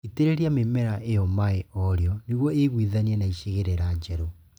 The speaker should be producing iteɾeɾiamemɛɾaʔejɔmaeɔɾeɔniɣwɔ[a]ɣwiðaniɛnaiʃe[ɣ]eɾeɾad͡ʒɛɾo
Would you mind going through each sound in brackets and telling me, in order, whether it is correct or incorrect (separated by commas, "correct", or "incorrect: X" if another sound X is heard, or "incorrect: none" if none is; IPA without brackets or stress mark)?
incorrect: e, correct